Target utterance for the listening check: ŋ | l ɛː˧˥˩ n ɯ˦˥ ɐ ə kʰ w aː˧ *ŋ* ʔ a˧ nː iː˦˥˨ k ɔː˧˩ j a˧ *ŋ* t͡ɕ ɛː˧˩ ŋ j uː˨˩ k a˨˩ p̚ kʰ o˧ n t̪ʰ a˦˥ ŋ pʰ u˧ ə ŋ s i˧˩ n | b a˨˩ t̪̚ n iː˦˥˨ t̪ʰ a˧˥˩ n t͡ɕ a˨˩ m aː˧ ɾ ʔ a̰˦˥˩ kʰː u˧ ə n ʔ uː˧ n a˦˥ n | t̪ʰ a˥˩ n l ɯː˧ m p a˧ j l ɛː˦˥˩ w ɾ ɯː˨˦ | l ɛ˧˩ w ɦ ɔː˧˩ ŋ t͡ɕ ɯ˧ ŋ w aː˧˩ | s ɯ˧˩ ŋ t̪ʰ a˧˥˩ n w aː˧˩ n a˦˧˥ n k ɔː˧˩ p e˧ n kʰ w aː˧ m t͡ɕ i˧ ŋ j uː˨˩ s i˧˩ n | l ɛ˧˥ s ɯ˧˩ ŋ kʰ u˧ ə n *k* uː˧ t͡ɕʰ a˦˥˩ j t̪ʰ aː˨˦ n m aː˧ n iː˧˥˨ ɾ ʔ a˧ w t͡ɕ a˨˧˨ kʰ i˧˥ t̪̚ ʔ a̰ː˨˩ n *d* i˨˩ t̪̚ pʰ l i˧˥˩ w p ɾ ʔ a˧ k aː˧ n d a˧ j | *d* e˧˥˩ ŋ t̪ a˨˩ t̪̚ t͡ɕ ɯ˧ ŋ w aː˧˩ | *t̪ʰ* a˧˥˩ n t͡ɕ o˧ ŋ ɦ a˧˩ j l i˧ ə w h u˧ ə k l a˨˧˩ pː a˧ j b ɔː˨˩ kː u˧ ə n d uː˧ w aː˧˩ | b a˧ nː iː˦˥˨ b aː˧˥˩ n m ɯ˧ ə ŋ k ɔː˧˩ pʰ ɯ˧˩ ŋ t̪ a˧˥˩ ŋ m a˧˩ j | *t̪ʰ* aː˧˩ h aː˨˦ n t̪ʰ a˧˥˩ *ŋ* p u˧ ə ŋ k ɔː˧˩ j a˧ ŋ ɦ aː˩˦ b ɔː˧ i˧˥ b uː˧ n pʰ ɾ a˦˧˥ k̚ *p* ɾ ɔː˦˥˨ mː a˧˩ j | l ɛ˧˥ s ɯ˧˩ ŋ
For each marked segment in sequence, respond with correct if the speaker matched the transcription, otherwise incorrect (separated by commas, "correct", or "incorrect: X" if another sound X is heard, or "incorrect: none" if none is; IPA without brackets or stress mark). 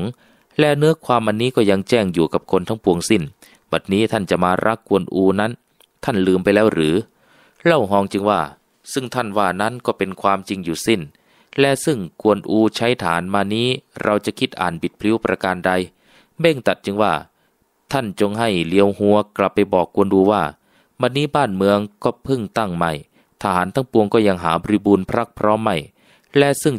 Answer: incorrect: m, correct, incorrect: ʔ, incorrect: b, incorrect: b, correct, correct, correct, incorrect: pʰ